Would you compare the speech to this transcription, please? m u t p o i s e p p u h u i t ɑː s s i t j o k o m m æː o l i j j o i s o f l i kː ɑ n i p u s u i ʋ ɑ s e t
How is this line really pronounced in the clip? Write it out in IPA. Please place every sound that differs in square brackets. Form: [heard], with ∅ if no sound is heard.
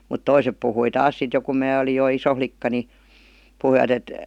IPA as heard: m u t [t] o i s e p p u h u i t ɑː s s i t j o k [u] m m æː o l i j j o i s o f l i kː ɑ n i p u [h] u i ʋ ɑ [t] e t